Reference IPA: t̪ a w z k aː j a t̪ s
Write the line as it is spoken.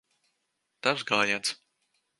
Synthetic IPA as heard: t̪ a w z ɡ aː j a t̪ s

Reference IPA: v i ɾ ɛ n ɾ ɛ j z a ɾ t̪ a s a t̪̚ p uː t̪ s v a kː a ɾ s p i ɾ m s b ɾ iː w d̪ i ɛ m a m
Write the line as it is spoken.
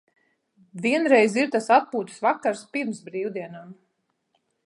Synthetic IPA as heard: v i ɛ n ɾ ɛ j z i ɾ t̪ a s a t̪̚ p uː t̪ s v a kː a ɾ s p i ɾ m s b ɾ iː w d̪ i ɛ n a m

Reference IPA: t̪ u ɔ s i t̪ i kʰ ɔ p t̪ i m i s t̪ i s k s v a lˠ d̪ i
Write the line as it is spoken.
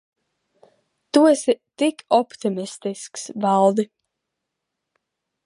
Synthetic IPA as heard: t̪ u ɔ s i t̪ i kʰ ɔ p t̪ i m i s t̪ i s k s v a lˠ d̪ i

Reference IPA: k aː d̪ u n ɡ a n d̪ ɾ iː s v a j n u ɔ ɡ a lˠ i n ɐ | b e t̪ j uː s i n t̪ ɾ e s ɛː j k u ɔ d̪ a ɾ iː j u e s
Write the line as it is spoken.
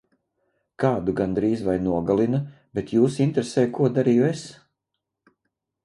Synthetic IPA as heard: k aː d̪ u ɡ a n d̪ ɾ iː z v a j n u ɔ ɡ a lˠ i n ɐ | b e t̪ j uː s i n t̪ ɾ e s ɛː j k u ɔ d̪ a ɾ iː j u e s

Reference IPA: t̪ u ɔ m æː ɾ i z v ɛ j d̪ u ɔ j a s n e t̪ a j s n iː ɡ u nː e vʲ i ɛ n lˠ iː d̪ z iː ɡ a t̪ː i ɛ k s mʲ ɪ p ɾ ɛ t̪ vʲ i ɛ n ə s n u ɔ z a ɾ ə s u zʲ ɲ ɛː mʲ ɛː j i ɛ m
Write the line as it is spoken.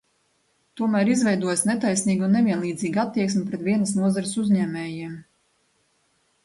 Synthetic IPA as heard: t̪ u ɔ m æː ɾ i z v ɛ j d̪ u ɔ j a s n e t̪ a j s n iː ɡ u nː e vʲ i ɛ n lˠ iː d̪ z iː ɡ a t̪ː i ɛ k s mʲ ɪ p ɾ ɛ t̪ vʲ i ɛ n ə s n u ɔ z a ɾ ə s u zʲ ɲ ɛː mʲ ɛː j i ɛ m

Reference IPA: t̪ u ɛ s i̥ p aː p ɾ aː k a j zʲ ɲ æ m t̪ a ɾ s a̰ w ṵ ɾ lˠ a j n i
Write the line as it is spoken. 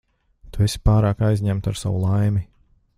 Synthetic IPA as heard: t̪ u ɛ s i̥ p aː ɾ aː k a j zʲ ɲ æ m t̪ a ɾ s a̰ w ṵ lˠ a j m i

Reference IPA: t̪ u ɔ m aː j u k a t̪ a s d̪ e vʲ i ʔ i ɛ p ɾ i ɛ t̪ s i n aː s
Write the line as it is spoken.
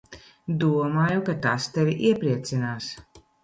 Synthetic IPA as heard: d̪ u ɔ m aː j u k a t̪ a s t̪ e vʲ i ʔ i ɛ p ɾ i ɛ t̪ s i n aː s

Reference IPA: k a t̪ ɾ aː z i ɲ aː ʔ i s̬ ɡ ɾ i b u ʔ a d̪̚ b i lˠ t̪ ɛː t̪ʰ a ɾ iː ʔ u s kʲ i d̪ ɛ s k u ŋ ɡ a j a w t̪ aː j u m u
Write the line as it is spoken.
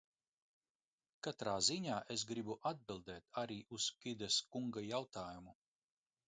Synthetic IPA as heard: k a t̪ ɾ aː z i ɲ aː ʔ e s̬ ɡ ɾ i b u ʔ a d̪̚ b i lˠ d̪ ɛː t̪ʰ a ɾ iː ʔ u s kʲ i d̪ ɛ s k u ŋ ɡ a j a w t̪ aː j u m u

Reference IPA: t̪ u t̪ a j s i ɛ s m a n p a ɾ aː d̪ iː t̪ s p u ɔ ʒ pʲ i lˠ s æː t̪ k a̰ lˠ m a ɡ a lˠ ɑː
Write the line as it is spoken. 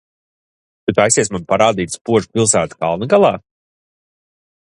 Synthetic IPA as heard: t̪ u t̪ a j s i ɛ s m a n p a ɾ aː d̪ iː t̪ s p u ɔ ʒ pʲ i lˠ s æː t̪ k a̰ lˠ n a ɡ a lˠ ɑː

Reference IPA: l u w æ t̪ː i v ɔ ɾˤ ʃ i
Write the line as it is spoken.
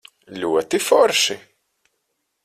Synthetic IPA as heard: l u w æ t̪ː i f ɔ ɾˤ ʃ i

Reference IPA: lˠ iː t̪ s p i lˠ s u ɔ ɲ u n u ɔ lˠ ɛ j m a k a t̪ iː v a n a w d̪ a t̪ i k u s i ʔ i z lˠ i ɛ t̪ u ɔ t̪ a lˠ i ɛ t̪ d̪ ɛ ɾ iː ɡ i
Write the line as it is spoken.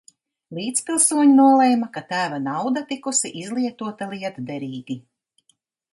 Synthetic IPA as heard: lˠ iː t̪ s p i lˠ s u ɔ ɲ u n u ɔ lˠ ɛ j m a k a t̪ æː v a n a w d̪ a t̪ i k u s i ʔ i z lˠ i ɛ t̪ u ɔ t̪ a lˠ i ɛ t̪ d̪ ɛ ɾ iː ɡ i

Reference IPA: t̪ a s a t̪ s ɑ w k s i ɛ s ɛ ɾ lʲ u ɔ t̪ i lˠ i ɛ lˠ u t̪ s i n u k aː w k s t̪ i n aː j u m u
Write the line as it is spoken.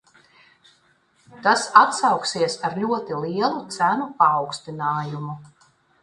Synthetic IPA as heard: t̪ a s a t̪ s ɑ w k s i ɛ s a ɾ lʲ u ɔ t̪ i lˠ i ɛ lˠ u t̪ s æ n u p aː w k s t̪ i n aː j u m u

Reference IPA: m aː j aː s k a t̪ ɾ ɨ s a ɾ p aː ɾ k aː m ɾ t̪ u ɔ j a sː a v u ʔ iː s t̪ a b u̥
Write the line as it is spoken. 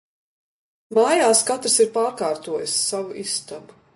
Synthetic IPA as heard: m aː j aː s k a t̪ ɾ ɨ s i ɾ p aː ɾ k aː ɾ t̪ u ɔ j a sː a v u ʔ i s t̪ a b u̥

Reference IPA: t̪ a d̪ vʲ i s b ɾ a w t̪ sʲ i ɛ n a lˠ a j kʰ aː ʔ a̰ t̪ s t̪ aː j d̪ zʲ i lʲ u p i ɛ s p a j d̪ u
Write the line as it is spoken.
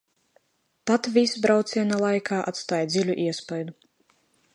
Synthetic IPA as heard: t̪ a t̪ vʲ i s b ɾ a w t̪ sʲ i ɛ n a lˠ a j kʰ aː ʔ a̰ t̪ s t̪ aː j d̪ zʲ i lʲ u ʔ i ɛ s p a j d̪ u

